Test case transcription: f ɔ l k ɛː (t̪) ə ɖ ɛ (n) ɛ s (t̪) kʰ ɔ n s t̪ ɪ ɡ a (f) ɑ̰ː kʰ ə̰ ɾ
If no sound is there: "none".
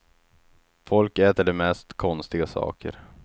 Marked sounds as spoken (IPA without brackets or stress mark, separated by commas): t̪, m, t̪, s